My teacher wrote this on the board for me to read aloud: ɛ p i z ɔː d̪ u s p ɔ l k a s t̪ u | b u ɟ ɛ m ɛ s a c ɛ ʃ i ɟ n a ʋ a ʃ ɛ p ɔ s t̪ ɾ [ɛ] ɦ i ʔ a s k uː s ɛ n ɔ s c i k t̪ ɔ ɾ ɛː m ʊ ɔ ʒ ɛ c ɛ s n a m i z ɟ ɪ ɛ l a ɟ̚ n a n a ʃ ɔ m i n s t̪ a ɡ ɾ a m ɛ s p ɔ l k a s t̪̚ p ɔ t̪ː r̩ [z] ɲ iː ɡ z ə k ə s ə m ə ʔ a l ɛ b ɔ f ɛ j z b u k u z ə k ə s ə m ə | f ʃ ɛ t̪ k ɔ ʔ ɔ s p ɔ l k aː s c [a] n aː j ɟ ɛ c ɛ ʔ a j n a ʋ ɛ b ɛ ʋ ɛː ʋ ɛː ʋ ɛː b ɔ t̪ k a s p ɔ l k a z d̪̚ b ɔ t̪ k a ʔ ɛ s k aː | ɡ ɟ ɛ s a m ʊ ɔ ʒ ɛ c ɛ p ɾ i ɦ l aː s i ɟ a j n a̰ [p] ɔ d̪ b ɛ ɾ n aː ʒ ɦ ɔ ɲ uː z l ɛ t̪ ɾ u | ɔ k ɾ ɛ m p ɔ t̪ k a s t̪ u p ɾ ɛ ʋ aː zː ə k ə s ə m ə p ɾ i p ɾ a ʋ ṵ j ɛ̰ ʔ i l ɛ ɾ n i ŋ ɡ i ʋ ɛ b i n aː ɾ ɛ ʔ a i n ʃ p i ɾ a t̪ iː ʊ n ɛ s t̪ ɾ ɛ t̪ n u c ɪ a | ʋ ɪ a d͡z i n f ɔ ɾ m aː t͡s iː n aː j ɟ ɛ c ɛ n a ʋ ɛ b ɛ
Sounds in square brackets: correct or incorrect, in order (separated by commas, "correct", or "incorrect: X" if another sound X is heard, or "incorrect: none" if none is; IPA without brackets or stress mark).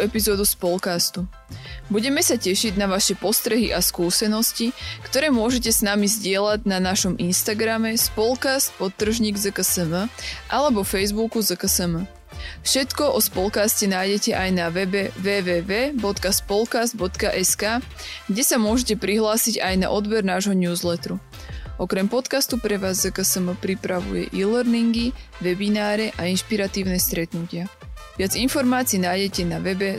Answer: correct, incorrect: ʒ, incorrect: ɛ, incorrect: ʔ